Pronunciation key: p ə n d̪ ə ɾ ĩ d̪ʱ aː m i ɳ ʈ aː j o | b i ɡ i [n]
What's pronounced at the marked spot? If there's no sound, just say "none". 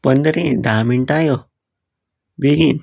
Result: n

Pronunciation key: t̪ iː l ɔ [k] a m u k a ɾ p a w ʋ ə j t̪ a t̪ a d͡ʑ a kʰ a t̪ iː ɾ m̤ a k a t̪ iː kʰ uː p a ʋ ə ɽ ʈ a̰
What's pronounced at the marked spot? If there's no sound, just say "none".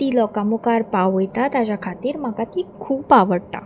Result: k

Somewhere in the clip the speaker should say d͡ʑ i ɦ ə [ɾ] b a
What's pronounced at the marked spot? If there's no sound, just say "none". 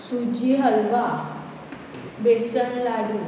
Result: l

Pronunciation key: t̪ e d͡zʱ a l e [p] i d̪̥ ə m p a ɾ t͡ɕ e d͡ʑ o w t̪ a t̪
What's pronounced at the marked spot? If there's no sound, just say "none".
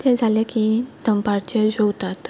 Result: k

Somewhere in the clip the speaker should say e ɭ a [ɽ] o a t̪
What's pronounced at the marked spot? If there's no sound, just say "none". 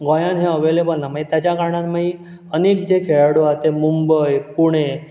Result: ɽ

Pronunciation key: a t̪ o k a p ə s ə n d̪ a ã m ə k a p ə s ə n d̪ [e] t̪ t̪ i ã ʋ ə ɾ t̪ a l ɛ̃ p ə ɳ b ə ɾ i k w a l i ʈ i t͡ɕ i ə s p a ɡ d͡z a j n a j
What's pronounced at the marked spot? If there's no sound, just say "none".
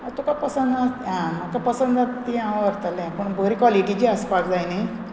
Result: a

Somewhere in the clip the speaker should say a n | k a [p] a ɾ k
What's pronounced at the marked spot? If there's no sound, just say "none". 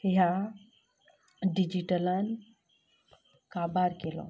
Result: b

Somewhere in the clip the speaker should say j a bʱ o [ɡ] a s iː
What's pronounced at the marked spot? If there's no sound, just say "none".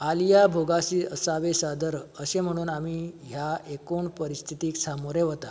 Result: ɡ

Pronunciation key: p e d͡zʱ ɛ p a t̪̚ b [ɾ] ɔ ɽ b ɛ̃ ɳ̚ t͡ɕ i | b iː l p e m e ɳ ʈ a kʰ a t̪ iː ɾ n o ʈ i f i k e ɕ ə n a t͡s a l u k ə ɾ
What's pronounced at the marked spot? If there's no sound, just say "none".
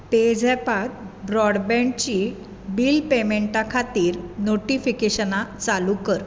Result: ɾ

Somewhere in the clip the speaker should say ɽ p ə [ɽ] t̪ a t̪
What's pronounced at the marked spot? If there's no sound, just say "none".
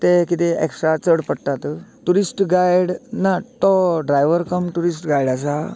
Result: ɽ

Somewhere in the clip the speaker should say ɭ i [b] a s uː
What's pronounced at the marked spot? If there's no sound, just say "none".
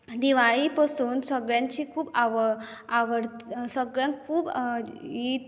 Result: p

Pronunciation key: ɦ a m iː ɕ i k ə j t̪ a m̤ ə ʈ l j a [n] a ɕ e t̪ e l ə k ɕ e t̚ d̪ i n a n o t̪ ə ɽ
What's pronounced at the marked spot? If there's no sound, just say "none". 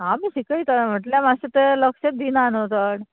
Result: m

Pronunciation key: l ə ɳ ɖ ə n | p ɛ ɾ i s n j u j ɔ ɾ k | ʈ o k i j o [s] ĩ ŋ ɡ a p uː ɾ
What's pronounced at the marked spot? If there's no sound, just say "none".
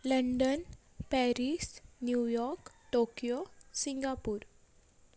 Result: s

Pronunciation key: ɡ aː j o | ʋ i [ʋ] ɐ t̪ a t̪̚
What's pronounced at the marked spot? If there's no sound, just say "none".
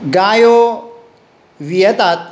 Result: none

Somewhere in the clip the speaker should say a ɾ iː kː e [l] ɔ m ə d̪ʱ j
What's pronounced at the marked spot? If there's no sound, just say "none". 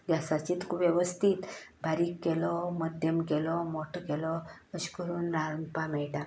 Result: l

